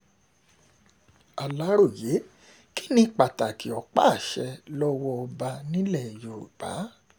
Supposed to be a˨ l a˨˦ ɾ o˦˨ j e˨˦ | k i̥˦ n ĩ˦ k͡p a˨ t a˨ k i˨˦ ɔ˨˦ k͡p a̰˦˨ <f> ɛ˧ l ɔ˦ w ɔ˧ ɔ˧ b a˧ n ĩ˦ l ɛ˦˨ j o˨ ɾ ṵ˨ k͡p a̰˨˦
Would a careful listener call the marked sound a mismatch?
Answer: yes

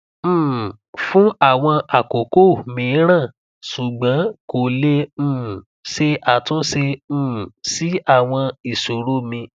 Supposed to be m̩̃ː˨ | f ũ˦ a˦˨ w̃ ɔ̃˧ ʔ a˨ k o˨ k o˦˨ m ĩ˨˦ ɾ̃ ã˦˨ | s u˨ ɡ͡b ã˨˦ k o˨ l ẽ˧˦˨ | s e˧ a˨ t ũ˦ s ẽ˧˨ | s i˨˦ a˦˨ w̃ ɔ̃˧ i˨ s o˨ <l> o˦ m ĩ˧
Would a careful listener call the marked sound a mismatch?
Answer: yes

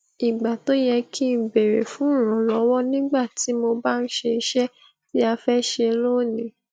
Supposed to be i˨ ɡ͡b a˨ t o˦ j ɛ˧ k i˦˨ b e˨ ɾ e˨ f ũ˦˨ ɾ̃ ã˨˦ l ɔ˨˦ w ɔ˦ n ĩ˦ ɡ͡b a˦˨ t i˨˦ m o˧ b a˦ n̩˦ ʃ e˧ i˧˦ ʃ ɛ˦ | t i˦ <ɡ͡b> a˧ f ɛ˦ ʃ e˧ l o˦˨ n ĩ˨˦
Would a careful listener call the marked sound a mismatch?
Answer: yes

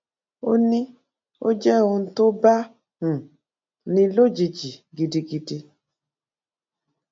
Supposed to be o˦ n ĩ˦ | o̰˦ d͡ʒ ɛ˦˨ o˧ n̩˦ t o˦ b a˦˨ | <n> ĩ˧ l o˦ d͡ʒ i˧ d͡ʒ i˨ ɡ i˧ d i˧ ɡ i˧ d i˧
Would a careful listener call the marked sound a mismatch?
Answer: no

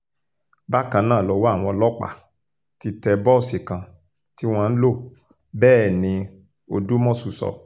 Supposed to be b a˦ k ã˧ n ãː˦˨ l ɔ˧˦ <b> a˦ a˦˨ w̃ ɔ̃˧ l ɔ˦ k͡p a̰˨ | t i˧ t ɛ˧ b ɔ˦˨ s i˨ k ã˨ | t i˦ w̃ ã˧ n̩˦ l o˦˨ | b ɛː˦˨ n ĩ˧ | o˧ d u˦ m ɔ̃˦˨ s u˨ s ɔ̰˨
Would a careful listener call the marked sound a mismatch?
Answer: yes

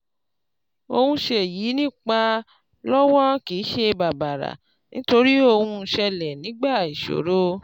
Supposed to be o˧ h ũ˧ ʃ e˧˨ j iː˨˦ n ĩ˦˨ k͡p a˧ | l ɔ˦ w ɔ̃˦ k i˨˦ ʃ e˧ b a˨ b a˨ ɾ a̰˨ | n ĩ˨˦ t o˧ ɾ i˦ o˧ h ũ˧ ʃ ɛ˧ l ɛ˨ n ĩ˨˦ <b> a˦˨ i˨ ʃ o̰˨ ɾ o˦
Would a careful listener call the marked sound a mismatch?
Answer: yes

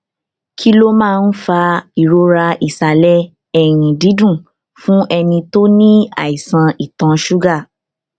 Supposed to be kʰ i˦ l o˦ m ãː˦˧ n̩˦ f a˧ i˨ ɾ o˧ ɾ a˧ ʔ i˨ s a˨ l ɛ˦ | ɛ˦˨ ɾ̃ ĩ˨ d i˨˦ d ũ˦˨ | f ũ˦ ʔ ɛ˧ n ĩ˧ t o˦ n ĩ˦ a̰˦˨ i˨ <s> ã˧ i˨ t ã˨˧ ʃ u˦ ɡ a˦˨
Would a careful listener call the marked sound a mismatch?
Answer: no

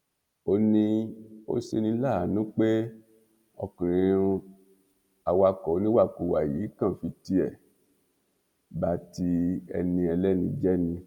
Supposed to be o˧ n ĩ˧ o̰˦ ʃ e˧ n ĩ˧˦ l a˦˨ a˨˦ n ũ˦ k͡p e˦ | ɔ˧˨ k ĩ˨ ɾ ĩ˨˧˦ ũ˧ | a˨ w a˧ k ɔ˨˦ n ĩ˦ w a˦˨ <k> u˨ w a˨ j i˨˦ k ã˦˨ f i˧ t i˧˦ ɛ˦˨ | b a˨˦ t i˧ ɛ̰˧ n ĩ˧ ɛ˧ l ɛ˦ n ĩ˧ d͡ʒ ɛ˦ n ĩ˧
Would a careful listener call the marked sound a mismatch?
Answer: no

